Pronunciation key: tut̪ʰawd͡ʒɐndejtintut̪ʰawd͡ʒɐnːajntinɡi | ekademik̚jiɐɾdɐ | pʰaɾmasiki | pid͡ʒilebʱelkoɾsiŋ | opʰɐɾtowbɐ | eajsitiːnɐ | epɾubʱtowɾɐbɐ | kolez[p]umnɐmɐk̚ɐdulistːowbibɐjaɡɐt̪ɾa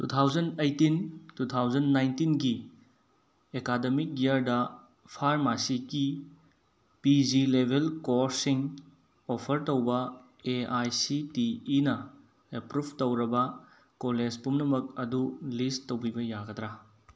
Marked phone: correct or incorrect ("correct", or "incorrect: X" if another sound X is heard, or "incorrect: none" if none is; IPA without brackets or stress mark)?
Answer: correct